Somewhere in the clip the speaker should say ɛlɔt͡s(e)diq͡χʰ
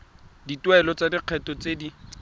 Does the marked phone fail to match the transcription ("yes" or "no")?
yes